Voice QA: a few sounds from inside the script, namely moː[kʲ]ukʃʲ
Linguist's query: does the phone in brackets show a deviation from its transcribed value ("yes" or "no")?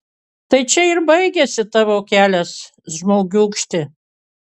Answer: yes